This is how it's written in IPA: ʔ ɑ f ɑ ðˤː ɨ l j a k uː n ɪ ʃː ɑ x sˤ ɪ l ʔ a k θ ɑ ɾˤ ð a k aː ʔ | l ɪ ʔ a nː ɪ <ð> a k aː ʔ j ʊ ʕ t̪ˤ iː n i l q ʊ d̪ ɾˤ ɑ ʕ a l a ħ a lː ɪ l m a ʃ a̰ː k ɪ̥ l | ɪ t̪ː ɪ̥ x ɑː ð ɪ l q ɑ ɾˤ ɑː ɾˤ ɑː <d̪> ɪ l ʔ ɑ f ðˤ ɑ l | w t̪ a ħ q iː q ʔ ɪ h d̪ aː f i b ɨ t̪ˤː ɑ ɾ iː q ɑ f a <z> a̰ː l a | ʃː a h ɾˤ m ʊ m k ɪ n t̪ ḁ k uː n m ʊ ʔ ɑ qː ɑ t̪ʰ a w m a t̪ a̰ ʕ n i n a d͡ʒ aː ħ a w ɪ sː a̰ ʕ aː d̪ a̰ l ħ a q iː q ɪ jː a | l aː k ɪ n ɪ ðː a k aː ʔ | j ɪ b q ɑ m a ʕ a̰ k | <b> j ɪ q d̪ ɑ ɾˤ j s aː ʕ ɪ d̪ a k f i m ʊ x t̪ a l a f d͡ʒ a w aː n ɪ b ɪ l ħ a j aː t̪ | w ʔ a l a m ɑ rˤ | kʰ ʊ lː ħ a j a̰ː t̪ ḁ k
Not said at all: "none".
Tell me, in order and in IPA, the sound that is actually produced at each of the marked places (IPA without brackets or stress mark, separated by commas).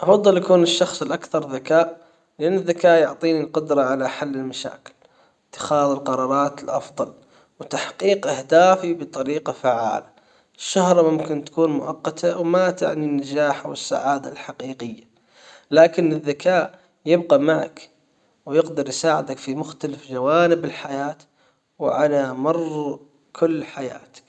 ðː, t̪, ʕ, w